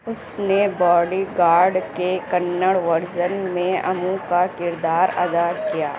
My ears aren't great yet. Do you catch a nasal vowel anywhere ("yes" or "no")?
yes